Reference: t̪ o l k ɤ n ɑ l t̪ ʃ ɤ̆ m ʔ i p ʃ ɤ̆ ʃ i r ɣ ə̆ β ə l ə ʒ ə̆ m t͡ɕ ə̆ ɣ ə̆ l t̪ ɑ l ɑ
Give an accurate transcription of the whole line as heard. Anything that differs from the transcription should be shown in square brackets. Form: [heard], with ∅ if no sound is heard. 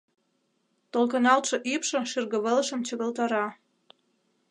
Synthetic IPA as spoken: t̪ o l k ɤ n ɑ l t̪ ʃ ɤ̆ [∅] ʔ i p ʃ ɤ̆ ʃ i r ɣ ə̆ β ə l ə [ʃ] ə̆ m t͡ɕ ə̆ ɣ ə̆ l t̪ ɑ [ɾ] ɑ